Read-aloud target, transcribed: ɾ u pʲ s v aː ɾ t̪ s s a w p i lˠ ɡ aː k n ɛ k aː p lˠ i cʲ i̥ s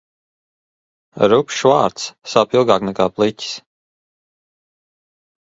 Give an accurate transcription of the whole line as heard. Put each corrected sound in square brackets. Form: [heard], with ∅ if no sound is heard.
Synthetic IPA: ɾ u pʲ [ʃ] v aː ɾ t̪ s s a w p i lˠ ɡ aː k n ɛ k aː p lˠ i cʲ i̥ s